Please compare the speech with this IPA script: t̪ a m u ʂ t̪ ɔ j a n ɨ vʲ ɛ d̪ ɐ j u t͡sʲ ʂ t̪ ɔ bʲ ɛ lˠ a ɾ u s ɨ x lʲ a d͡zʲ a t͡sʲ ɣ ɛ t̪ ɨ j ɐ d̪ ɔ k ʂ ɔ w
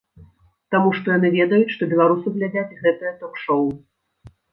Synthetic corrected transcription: t̪ a m u ʂ t̪ ɔ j a n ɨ vʲ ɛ d̪ ɐ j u t͡sʲ ʂ t̪ ɔ bʲ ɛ lˠ a ɾ u s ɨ ɣ lʲ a d͡zʲ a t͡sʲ ɣ ɛ t̪ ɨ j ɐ t̪ ɔ k ʂ ɔ w